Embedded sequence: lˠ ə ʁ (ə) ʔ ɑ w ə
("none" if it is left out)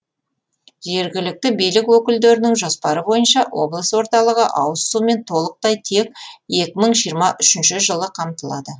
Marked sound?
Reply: ə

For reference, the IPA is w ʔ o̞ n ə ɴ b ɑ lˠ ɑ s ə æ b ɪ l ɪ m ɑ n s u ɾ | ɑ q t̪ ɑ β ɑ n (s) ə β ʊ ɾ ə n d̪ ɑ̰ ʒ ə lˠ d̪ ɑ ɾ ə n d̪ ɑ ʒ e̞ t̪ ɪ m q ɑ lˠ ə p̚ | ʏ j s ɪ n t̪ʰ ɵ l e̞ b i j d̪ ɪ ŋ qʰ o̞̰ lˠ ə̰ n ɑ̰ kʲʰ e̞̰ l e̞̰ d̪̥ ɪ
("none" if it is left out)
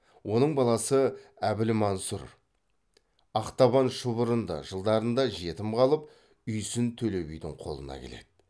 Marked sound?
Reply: ʃ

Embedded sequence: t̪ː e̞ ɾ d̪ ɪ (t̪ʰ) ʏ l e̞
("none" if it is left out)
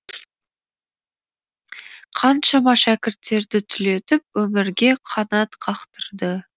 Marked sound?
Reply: t̪ʰ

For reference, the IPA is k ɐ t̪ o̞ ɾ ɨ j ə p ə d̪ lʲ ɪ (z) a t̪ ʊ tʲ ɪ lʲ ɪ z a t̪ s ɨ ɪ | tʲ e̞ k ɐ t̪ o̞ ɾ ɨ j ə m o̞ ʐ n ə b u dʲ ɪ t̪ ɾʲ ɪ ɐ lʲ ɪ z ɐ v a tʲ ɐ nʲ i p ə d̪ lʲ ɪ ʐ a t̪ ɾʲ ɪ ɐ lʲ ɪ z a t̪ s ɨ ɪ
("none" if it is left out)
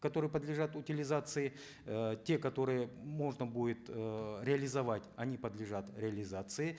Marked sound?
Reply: ʐ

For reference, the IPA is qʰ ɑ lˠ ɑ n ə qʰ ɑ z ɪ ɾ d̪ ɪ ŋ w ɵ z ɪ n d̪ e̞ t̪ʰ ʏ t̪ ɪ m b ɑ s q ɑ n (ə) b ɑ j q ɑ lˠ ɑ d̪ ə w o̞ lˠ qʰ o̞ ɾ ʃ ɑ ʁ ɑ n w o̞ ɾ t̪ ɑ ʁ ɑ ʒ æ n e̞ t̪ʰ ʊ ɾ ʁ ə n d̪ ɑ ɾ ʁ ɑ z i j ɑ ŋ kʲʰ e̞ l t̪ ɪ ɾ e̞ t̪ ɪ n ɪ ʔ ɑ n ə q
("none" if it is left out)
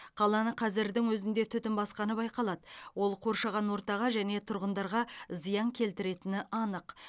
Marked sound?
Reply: ə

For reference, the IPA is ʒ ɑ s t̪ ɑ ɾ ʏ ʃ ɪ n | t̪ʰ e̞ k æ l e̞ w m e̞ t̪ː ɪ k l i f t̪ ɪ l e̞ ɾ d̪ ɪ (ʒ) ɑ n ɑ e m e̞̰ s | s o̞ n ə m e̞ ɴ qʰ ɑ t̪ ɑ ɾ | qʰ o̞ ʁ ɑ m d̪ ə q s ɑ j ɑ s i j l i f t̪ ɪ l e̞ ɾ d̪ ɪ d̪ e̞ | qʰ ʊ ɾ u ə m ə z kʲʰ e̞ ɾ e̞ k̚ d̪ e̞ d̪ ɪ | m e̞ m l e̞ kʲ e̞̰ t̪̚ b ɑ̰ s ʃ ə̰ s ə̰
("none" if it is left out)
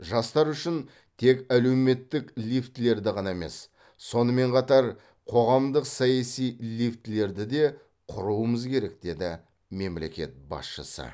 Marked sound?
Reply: ʁ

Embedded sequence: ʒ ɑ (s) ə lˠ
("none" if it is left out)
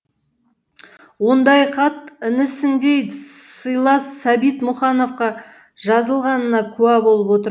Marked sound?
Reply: z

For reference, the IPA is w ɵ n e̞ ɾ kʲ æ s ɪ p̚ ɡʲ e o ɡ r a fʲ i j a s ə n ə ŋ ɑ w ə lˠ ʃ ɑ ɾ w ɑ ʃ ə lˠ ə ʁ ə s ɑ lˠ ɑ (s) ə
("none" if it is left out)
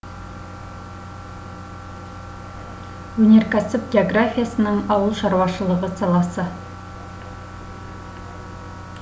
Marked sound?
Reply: s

